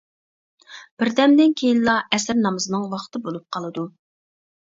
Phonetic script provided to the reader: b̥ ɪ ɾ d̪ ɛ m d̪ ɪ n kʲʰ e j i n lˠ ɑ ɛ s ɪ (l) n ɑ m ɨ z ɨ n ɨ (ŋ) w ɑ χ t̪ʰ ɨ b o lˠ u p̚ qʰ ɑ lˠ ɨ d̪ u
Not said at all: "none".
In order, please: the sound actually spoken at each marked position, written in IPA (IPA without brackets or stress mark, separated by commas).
ɾ, ŋ